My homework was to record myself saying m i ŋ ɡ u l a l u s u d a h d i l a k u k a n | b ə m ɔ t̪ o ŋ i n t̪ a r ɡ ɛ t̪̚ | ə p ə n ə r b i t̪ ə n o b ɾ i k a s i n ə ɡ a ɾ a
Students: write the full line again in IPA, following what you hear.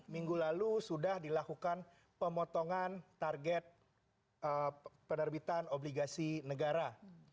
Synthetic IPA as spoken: m i ŋ ɡ u l a l u s u d a h d i l a k u k a n | p ə m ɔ t̪ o ŋ a n t̪ a r ɡ ɛ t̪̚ | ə p ə n ə r b i t̪ a n o b l i ɡ a s i n ə ɡ a ɾ a